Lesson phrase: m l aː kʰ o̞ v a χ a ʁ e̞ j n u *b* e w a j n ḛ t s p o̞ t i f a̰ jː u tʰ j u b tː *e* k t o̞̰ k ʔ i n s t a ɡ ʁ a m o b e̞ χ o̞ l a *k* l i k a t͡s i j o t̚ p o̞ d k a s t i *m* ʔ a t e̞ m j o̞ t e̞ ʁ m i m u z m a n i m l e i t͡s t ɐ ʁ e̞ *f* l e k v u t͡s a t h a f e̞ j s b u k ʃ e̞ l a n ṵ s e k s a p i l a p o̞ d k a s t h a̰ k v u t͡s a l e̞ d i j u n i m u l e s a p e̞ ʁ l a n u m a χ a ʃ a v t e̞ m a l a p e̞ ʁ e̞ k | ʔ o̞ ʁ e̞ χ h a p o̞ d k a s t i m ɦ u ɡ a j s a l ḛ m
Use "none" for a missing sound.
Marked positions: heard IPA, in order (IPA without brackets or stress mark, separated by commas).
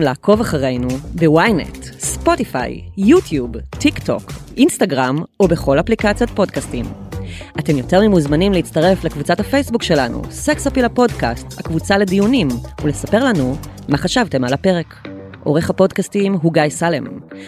b, i, p, m, f